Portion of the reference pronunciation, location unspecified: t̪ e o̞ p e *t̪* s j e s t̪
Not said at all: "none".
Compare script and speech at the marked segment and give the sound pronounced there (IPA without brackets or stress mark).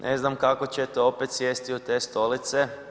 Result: t̪